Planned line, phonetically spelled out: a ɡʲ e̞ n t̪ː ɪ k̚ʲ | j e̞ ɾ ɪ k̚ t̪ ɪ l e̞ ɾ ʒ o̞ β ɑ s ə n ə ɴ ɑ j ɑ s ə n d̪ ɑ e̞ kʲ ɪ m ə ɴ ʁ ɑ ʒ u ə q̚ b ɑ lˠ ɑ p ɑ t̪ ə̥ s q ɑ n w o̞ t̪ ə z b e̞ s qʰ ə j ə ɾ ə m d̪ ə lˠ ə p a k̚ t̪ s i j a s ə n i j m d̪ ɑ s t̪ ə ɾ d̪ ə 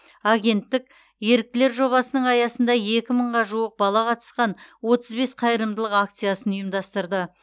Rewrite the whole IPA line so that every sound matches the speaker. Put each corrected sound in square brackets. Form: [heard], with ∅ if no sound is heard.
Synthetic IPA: a ɡʲ e̞ n t̪ː ɪ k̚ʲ | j e̞ ɾ ɪ k̚ t̪ ɪ l e̞ ɾ ʒ o̞ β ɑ s ə n ə ɴ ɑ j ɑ s ə n d̪ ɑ e̞ kʲ ɪ m ə ɴ ʁ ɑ ʒ u ə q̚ b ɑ lˠ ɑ [q] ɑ t̪ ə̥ s q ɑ n w o̞ t̪ ə z b e̞ s qʰ [ɑ] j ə ɾ ə m d̪ ə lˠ ə [q] a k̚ t̪ s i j a s ə n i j m d̪ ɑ s t̪ ə ɾ d̪ ə